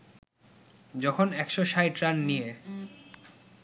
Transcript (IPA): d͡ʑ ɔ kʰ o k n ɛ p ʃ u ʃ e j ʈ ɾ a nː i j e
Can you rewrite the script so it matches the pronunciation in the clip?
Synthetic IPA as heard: d͡ʑ ɔ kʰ o n ɛ k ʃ o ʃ a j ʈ ɾ a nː i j e